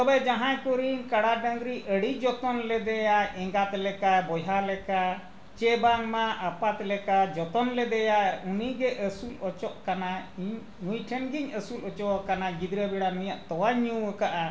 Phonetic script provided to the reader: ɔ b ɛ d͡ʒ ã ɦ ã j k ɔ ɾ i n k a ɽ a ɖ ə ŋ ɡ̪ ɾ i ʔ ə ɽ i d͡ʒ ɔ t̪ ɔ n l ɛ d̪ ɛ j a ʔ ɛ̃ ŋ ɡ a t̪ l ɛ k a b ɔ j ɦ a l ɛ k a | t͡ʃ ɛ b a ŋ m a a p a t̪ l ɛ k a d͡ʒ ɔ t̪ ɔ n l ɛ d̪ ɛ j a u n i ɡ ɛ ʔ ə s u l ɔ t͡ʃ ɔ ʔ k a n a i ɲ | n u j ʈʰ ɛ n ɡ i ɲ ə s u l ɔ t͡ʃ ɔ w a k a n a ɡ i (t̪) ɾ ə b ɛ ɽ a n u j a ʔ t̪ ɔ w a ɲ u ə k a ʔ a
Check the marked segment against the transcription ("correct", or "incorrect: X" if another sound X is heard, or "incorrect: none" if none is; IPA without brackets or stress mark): incorrect: d̪